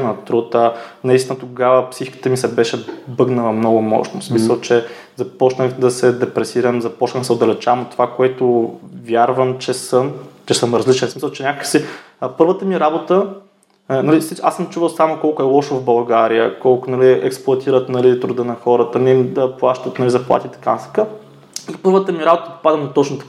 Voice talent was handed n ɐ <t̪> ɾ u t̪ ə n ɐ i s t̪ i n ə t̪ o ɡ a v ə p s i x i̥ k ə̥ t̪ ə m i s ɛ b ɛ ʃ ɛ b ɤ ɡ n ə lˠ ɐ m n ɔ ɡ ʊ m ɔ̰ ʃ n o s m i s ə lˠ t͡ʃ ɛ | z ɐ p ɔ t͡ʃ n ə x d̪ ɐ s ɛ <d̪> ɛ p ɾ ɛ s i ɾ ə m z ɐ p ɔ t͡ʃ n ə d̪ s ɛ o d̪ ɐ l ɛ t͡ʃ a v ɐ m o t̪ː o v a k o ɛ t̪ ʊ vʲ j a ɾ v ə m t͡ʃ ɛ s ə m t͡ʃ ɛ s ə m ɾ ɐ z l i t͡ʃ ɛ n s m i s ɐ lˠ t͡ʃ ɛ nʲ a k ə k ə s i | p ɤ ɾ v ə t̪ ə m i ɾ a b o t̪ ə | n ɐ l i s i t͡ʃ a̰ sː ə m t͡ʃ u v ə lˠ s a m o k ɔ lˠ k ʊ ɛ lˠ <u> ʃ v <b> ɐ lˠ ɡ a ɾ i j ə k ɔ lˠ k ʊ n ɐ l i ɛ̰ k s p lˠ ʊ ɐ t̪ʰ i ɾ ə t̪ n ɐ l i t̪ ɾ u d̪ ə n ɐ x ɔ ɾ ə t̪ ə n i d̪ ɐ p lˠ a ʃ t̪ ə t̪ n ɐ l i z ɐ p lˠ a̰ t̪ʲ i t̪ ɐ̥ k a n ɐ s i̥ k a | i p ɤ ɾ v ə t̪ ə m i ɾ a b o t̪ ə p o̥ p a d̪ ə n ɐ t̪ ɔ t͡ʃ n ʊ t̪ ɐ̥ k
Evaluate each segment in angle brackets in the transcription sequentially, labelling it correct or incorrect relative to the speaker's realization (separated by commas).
correct, correct, incorrect, correct